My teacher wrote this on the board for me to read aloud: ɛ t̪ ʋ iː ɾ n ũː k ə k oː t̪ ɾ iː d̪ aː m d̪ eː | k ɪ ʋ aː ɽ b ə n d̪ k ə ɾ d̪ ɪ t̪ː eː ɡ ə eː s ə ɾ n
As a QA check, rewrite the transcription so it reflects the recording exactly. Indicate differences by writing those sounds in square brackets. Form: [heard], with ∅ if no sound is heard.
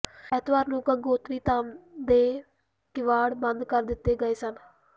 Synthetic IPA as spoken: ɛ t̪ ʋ [aː] ɾ n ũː k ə [ɡ] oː t̪ ɾ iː [t̪] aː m d̪ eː | k ɪ ʋ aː ɽ b ə n d̪ k ə ɾ d̪ ɪ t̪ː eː ɡ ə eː s ə [∅] n

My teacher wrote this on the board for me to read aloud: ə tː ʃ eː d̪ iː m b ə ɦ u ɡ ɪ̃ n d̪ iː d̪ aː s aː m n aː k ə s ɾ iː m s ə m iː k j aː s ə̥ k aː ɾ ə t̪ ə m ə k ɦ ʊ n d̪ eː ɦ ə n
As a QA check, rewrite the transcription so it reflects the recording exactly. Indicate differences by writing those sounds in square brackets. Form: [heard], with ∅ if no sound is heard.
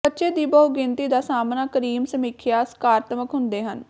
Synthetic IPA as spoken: ə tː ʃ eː d̪ iː [∅] b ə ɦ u ɡ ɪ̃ n [t̪] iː d̪ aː s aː m n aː k ə [∅] ɾ iː m s ə m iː [kʰ] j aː s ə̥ k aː ɾ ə t̪ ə m ə k ɦ ʊ n d̪ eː ɦ ə n

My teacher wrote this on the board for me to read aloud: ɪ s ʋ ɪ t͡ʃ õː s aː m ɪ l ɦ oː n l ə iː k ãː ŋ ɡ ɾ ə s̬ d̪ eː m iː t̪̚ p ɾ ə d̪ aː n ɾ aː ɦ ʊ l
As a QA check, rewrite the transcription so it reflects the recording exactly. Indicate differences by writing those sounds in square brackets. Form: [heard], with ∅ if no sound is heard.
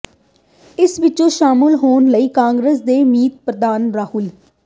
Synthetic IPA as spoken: ɪ s ʋ ɪ t͡ʃ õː [ʃ] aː m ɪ l ɦ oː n l ə iː k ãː ŋ ɡ ɾ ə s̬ d̪ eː m iː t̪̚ p ɾ ə d̪ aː n ɾ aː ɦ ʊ l

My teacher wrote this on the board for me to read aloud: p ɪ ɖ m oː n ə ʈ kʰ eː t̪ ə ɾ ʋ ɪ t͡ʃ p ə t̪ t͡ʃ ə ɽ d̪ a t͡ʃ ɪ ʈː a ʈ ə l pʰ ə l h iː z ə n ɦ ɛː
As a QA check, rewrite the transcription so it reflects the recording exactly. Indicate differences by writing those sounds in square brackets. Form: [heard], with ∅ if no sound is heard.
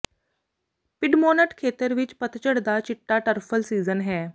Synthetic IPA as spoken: p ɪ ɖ m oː n ə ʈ kʰ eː t̪ ə ɾ ʋ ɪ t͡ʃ p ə t̪ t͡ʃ ə ɽ d̪ a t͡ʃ ɪ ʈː a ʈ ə [ɾ] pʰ ə l [s] iː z ə n ɦ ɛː

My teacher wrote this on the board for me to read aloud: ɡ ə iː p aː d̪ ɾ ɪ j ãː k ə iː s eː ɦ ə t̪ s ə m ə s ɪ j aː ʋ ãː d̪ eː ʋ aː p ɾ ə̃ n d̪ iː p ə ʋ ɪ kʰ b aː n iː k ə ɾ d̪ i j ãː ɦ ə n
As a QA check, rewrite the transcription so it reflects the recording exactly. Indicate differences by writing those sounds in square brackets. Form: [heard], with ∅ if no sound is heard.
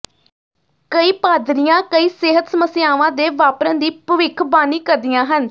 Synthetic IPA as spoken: [k] ə iː p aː d̪ ɾ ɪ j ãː k ə iː s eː ɦ ə t̪ s ə m ə s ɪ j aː ʋ ãː d̪ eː ʋ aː p ɾ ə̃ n d̪ iː p ə ʋ ɪ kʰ b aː n iː k ə ɾ d̪ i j ãː ɦ ə n

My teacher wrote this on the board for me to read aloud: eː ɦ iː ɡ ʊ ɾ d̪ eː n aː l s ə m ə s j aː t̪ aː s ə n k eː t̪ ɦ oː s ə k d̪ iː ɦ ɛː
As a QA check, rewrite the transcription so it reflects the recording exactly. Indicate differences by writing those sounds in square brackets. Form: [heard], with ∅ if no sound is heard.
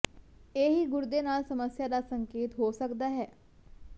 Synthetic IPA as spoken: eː ɦ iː ɡ ʊ ɾ d̪ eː n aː l s ə m ə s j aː [d̪] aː s ə [ŋ] k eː t̪ ɦ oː s ə k d̪ [aː] ɦ ɛː

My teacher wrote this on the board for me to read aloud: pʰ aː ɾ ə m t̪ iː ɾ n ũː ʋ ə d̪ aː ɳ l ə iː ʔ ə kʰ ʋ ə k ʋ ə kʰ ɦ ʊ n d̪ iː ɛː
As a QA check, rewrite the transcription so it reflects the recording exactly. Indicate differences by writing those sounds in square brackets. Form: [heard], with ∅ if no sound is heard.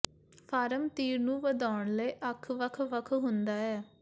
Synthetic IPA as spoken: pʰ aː ɾ ə m t̪ iː ɾ n ũː ʋ ə d̪ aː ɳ l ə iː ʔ ə kʰ ʋ ə [kʰ] ʋ ə kʰ ɦ ʊ n d̪ [aː] ɛː

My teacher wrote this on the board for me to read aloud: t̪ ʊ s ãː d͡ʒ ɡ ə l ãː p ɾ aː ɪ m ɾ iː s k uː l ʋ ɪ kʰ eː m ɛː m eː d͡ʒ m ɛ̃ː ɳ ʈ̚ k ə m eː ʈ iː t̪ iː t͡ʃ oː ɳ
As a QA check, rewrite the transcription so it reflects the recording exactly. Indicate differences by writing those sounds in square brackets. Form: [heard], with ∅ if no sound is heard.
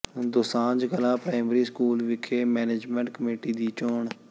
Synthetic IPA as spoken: [d̪] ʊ s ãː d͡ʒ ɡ ə l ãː p ɾ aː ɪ m ɾ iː s k uː l ʋ ɪ kʰ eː m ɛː [n] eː d͡ʒ m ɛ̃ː ɳ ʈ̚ k ə m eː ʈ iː [d̪] iː t͡ʃ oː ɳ

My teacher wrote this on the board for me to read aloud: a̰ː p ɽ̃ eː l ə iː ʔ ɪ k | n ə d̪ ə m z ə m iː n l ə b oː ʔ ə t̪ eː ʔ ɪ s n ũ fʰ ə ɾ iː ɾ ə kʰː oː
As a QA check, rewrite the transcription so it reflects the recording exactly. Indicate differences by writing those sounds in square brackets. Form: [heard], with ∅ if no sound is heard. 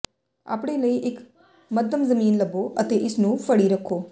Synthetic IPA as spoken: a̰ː p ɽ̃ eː l ə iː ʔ ɪ k | [m] ə d̪ ə m z ə m iː n l ə b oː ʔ ə t̪ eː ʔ ɪ s n [ũː] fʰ ə [ɽ] iː ɾ ə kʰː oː

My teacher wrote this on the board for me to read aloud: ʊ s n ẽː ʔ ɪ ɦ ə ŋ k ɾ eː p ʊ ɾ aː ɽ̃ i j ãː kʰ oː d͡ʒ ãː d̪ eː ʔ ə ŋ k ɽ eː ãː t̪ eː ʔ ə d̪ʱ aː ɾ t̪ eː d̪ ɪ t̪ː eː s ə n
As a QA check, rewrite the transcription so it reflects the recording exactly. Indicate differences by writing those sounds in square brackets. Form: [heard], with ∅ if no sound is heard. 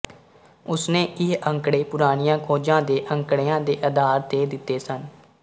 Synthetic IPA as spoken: ʊ s n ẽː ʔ ɪ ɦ ə ŋ k [ɽ] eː p ʊ ɾ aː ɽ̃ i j ãː kʰ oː d͡ʒ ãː d̪ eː ʔ ə ŋ k ɽ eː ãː [d̪] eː ʔ ə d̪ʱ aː ɾ t̪ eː d̪ ɪ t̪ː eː s ə n

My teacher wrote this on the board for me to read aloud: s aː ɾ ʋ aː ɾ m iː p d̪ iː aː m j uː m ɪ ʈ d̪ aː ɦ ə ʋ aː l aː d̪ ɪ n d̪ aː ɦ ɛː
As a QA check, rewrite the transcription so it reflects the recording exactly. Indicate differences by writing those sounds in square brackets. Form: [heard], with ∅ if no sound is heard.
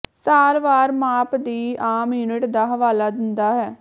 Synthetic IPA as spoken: s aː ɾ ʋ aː ɾ m [aː] p d̪ iː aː m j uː [n] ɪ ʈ d̪ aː ɦ ə ʋ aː l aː d̪ ɪ n d̪ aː ɦ ɛː

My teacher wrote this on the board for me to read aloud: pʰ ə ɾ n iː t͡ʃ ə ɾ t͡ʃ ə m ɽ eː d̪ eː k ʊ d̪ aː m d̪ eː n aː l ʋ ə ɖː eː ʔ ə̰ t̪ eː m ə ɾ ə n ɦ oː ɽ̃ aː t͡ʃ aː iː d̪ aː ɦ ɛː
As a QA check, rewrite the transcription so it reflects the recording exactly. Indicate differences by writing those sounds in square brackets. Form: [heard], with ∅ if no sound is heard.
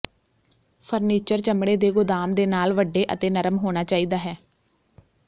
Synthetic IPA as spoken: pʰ ə ɾ n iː t͡ʃ ə ɾ t͡ʃ ə m ɽ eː d̪ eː [ɡ] ʊ d̪ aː m d̪ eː n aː l ʋ ə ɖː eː ʔ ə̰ t̪ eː [n] ə ɾ ə [m] ɦ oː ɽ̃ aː t͡ʃ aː iː d̪ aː ɦ ɛː

